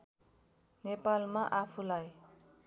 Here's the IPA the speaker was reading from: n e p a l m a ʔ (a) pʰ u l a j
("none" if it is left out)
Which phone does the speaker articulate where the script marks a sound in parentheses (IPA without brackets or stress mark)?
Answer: a